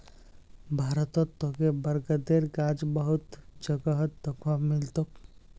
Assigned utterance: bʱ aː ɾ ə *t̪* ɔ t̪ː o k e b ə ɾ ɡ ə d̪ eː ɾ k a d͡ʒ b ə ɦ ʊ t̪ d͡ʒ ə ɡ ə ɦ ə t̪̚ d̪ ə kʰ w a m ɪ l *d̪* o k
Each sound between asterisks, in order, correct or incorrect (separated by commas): correct, incorrect